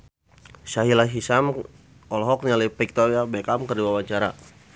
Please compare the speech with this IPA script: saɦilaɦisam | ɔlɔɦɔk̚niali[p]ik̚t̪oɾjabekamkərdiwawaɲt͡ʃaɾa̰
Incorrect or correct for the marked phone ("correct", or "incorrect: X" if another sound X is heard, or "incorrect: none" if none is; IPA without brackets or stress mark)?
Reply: correct